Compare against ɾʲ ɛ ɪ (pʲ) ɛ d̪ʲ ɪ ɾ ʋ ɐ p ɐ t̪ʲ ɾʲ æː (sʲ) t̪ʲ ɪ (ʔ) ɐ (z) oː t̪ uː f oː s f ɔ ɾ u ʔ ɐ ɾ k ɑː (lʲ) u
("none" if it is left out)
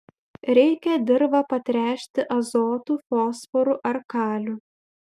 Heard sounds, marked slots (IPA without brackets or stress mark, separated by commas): kʲ, ʃʲ, ʔ, z, lʲ